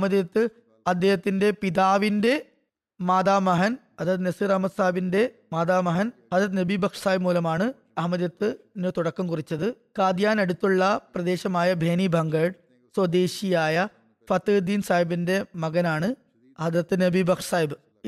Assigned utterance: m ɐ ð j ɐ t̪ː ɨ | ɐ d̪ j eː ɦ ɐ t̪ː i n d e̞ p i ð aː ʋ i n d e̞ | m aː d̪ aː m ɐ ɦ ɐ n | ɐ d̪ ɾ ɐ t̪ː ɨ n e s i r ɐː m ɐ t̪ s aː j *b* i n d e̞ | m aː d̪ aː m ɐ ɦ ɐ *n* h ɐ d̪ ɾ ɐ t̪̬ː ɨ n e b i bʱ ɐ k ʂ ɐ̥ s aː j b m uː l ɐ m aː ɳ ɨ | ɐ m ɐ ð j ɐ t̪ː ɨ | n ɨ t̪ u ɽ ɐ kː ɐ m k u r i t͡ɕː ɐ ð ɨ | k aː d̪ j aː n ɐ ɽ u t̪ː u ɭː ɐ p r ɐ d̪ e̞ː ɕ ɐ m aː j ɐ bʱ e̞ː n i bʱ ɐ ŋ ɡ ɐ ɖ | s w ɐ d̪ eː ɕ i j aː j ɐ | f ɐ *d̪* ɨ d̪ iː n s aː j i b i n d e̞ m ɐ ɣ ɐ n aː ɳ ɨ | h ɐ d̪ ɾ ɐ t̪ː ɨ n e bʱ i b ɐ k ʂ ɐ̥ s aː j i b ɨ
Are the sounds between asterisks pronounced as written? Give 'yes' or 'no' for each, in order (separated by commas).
yes, yes, no